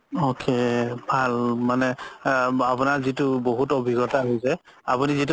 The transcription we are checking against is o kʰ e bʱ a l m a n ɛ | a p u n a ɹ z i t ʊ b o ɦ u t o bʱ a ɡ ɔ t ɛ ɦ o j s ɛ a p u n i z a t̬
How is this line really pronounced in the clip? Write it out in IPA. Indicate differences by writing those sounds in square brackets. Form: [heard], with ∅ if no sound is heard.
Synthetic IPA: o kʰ e bʱ a l m a n ɛ | a p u n a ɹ z i t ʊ b o ɦ u t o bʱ [i] ɡ ɔ t [a] ɦ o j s ɛ a p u n i z [i] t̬